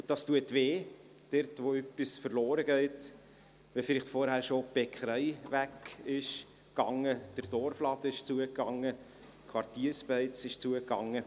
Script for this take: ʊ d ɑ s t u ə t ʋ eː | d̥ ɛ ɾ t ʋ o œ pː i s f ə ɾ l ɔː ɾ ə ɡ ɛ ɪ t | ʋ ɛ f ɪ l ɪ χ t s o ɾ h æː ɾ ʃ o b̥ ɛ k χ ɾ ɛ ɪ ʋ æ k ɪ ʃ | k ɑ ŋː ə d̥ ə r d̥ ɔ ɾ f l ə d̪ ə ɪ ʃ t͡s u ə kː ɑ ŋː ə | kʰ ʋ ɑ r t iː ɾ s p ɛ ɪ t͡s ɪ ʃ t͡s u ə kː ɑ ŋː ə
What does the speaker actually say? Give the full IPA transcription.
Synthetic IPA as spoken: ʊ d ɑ s t u ə t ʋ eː | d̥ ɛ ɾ t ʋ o œ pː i s f ə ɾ l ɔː ɾ ə ɡ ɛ ɪ t | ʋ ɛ f ɪ l ɪ χ t f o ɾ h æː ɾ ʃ o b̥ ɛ k χ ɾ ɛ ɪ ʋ æ k ɪ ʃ | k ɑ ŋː ə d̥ ə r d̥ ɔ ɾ f l ɑ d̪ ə ɪ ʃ t͡s u ə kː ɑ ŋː ə | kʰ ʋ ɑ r t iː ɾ s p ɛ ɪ t͡s ɪ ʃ t͡s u ə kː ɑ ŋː ə